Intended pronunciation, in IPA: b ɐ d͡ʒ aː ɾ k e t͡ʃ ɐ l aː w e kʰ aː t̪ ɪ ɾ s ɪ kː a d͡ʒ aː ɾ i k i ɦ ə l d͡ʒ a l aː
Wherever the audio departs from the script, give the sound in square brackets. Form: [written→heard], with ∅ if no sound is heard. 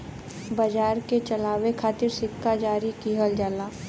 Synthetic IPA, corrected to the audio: b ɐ d͡ʒ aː ɾ k e t͡ʃ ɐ l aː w e kʰ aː t̪ ɪ ɾ s ɪ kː a d͡ʒ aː ɾ i k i ɦ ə l d͡ʒ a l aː